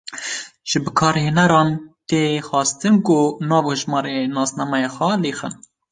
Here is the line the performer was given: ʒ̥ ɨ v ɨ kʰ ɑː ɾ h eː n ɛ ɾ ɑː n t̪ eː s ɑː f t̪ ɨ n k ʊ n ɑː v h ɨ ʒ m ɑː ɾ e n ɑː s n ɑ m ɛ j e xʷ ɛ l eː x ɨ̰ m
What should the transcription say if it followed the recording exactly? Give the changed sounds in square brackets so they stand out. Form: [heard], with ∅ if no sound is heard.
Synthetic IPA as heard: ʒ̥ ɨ [b] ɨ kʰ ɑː ɾ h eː n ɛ ɾ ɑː n t̪ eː [x] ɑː [s] t̪ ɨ n k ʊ n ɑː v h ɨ ʒ m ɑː ɾ e n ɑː s n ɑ m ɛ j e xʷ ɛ l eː x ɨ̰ [n]